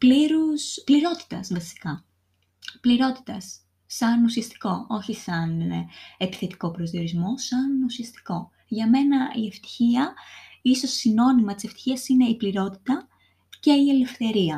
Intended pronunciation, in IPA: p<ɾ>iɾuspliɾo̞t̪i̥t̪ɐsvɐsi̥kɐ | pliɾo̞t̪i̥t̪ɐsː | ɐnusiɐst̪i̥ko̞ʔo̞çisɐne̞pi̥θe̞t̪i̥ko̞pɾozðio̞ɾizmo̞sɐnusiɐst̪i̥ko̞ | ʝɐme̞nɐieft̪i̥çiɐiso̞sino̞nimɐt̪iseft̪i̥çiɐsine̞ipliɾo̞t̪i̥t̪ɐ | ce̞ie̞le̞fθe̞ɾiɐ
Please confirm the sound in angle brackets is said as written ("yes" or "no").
no